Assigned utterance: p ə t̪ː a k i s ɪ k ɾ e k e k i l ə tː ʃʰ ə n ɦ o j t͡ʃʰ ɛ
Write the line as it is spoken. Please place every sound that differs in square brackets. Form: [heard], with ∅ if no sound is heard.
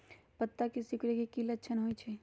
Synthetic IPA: p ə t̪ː a k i s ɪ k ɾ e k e k i l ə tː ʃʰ ə n ɦ o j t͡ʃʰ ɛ